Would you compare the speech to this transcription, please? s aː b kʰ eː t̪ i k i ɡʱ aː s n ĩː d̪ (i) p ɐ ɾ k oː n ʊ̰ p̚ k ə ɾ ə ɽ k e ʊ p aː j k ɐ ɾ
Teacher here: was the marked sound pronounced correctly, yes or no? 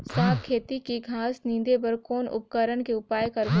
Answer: no